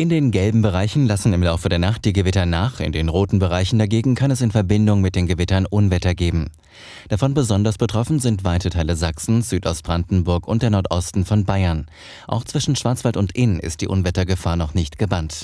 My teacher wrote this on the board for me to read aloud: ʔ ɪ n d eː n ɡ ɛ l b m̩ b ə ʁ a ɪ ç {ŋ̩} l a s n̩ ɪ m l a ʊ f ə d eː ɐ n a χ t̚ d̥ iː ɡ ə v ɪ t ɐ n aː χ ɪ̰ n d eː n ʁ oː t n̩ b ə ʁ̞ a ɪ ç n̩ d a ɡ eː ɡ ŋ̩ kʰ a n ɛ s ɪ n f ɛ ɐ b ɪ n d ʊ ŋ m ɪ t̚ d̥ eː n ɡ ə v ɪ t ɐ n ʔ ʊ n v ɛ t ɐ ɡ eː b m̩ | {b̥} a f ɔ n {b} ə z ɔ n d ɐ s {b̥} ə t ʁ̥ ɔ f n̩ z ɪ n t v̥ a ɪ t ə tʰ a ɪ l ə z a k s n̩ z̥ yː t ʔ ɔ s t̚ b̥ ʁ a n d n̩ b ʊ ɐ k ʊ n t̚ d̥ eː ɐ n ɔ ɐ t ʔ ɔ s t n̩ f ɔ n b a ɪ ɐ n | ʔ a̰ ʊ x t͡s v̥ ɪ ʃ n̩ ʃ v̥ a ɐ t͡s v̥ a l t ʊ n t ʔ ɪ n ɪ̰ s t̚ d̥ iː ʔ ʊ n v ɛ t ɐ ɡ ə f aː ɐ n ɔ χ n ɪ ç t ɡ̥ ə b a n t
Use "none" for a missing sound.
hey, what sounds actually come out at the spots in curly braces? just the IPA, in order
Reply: n̩, d̥, b, b̥

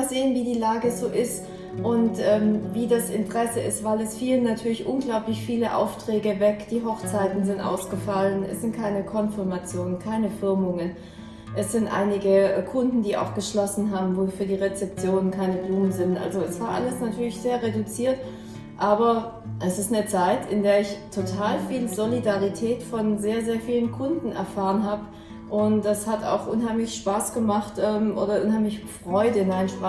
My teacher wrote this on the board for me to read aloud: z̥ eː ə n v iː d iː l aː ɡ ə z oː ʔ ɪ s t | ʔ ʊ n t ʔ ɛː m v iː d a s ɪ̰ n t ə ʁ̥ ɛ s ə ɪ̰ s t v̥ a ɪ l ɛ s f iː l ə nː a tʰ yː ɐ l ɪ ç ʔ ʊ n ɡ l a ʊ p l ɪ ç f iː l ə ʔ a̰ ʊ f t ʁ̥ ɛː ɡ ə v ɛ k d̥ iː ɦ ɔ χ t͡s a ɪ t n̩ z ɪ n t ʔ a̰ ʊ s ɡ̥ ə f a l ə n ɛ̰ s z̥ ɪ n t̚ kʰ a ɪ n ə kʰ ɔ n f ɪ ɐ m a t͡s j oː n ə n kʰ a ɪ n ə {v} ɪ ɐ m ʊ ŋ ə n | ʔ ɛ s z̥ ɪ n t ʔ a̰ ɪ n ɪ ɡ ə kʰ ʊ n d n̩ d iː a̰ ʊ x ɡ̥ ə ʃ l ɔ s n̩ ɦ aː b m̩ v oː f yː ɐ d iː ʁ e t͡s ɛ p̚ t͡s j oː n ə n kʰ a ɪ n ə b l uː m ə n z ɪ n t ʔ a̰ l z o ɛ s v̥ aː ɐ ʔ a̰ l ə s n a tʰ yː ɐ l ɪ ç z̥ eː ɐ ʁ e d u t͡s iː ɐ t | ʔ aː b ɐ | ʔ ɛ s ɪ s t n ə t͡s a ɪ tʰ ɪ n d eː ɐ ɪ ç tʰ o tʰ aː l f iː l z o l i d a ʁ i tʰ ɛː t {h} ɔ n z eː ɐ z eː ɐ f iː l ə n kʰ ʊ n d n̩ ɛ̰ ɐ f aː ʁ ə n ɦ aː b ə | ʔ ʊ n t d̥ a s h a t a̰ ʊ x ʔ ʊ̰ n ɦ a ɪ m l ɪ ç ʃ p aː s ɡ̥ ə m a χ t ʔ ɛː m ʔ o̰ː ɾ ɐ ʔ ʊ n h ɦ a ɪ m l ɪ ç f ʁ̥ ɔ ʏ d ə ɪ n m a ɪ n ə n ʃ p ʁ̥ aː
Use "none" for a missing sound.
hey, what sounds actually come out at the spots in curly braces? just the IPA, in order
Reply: f, f

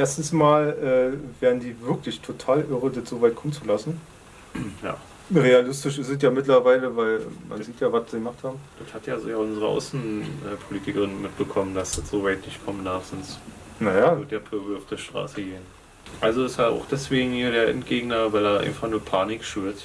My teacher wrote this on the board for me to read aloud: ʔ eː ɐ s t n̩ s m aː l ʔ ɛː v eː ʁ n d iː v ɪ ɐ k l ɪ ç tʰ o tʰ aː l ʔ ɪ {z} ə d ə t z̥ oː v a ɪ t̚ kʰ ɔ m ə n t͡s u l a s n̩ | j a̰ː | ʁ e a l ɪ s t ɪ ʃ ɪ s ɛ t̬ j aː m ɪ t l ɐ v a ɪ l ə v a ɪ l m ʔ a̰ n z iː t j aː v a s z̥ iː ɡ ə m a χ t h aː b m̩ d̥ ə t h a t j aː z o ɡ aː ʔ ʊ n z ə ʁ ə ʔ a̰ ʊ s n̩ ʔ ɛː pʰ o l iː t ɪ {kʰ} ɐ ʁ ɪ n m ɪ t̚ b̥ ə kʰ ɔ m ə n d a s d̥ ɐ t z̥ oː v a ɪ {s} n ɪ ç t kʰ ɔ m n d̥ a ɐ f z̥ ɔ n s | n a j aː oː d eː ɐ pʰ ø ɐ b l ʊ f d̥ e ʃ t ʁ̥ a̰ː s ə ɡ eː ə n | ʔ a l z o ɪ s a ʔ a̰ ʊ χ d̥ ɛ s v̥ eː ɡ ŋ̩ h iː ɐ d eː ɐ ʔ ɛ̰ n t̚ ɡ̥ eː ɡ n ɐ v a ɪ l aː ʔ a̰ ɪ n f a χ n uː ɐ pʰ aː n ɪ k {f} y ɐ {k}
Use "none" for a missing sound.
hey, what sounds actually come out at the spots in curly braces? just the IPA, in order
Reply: ʁ, k, t, ʃ, t

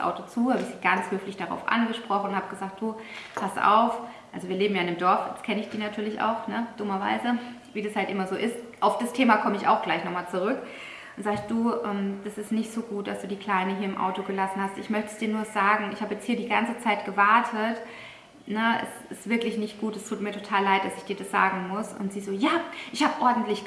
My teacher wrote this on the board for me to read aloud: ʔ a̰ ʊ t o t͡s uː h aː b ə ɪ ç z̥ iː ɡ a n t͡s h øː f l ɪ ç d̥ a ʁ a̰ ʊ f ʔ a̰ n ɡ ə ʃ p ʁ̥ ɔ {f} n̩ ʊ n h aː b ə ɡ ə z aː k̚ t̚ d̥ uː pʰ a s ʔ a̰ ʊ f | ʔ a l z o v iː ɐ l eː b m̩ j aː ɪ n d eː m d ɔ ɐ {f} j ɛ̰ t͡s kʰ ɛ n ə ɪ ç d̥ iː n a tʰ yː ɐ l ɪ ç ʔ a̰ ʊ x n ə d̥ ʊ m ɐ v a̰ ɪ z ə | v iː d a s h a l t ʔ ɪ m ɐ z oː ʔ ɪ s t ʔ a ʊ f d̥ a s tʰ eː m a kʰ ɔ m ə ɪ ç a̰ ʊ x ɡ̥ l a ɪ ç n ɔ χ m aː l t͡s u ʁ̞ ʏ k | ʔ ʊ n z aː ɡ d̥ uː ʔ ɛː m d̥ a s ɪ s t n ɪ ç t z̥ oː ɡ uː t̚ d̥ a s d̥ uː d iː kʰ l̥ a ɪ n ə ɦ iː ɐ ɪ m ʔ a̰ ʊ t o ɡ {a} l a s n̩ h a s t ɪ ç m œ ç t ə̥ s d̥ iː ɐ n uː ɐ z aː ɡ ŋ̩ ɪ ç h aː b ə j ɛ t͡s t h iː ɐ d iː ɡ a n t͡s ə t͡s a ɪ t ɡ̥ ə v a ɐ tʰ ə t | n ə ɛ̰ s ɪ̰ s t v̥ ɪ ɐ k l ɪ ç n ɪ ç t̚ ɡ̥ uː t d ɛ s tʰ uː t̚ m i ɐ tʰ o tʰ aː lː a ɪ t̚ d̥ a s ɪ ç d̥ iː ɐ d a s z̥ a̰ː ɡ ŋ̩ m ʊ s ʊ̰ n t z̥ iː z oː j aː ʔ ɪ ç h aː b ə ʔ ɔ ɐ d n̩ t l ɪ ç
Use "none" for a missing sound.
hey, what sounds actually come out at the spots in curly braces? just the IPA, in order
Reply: χ, f, ə

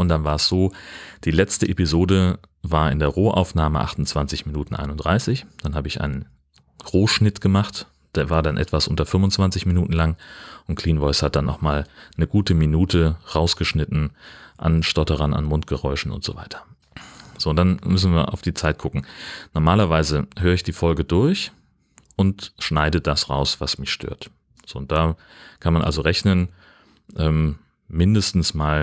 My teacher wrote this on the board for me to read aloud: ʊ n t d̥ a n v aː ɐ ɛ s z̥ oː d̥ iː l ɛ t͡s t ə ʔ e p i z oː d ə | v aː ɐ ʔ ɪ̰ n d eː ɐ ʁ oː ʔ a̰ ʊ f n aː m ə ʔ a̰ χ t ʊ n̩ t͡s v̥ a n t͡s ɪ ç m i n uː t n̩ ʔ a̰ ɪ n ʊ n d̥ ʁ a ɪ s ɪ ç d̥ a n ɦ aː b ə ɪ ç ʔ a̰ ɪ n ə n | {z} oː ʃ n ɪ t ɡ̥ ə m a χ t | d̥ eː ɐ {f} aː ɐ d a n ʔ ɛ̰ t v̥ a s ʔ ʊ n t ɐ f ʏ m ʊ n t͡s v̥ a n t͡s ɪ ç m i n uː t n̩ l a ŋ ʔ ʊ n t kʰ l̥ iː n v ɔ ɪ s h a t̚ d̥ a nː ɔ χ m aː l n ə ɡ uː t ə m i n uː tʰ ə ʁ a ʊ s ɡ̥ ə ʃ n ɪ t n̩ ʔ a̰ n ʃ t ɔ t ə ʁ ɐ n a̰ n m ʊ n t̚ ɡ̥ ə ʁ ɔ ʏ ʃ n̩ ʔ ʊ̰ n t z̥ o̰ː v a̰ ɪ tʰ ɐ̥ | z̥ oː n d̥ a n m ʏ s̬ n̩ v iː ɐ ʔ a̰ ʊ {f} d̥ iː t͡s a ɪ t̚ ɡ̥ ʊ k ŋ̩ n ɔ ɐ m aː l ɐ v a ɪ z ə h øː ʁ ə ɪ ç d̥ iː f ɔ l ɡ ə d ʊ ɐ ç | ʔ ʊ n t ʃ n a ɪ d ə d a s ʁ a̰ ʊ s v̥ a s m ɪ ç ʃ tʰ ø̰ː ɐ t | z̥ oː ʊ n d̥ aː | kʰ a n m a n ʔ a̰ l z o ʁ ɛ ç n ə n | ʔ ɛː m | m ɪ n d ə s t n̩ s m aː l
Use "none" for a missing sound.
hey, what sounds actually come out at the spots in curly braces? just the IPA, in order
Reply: ʁ, v, f

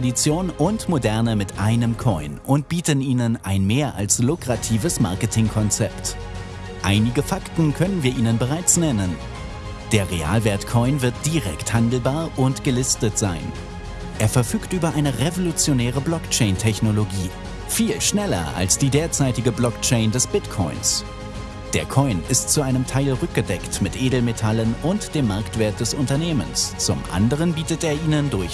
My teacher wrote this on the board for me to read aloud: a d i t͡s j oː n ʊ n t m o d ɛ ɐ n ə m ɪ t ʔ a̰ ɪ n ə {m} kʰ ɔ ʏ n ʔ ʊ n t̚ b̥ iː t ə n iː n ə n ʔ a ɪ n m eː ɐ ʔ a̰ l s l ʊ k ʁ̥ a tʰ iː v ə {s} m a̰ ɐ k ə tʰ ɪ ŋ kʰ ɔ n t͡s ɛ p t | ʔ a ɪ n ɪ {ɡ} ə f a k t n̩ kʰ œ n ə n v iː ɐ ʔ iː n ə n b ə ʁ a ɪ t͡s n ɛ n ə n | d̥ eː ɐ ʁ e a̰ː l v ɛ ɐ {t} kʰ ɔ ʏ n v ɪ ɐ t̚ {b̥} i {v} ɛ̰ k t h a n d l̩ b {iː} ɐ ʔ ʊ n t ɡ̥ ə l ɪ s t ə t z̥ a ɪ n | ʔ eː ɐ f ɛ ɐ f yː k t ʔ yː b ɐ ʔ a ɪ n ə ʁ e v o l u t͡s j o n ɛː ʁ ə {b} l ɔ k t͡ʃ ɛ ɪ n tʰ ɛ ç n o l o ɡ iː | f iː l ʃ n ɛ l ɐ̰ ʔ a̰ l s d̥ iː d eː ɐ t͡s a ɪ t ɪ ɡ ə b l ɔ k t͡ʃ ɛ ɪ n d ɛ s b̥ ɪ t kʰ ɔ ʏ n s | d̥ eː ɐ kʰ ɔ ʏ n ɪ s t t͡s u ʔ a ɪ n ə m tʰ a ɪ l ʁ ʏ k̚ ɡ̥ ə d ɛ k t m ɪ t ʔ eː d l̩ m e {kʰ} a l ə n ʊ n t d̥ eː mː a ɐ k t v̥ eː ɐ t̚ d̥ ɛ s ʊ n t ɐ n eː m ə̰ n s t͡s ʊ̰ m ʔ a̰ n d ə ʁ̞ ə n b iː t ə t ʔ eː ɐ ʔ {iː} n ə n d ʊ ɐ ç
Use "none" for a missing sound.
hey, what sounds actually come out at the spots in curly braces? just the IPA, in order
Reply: m, s, ɡ, t, d̥, ʁ, aː, b, tʰ, iː

